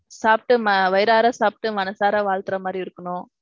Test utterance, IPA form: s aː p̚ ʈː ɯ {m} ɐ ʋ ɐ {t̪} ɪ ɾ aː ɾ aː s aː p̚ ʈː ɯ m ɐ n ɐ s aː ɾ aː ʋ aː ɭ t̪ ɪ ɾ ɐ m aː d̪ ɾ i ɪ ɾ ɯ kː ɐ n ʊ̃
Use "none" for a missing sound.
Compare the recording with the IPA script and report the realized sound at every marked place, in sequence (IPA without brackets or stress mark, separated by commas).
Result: m, none